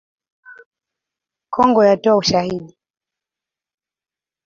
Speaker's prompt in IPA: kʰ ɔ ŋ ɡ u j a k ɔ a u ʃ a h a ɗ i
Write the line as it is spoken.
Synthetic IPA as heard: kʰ ɔ ŋ ɡ ɔ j a t ɔ a u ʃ a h i ɗ i